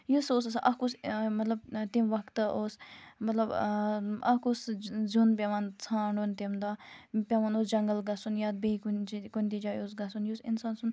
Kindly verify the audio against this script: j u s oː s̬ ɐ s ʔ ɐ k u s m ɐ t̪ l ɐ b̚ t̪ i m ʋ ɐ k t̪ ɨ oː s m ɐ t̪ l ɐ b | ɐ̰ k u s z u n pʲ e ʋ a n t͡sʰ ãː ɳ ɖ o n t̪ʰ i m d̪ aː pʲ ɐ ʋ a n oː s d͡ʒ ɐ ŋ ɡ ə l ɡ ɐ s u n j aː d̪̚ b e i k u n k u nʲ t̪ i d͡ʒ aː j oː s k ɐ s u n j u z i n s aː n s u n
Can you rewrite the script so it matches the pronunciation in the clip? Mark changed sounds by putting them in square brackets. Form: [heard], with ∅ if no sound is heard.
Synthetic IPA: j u s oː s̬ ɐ s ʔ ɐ k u s m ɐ t̪ l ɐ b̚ t̪ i m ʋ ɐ k t̪ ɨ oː s m ɐ t̪ l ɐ b | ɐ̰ k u s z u n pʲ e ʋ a n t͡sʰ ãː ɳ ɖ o n [t̪] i m d̪ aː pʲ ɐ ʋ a n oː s d͡ʒ ɐ ŋ ɡ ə l ɡ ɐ s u n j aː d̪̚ b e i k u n k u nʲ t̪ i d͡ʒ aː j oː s [ɡ] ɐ s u n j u [s] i n s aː n s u n